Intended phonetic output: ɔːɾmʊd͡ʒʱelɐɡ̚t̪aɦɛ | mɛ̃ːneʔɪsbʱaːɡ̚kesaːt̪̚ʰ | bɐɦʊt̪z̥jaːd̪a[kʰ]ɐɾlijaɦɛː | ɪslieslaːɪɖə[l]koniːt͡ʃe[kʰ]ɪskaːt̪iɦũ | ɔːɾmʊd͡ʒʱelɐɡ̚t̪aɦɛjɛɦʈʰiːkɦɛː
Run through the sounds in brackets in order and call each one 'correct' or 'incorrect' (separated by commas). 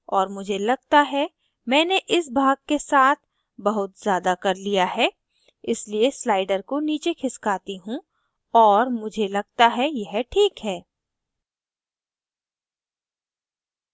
incorrect, incorrect, correct